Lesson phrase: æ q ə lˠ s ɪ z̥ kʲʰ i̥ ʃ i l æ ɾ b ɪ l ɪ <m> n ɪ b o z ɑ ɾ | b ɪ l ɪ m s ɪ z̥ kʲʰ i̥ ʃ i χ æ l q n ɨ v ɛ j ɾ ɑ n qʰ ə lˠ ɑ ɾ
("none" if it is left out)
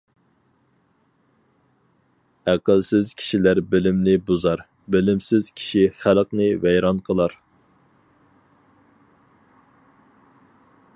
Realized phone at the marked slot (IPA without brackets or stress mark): m